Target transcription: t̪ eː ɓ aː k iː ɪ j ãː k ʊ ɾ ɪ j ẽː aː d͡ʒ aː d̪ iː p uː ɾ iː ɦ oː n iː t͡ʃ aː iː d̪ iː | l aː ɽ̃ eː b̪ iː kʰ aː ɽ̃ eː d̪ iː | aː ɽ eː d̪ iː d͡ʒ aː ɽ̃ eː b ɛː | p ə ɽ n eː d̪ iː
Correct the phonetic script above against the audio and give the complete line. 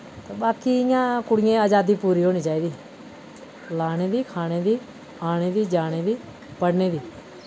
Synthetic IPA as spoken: t̪ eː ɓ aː k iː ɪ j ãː k ʊ ɽ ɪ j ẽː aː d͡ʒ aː d̪ iː p uː ɾ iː ɦ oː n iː t͡ʃ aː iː d̪ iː | l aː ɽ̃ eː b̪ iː kʰ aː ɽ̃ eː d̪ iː | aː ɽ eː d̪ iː d͡ʒ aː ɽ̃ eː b iː | p ə ɽ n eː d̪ iː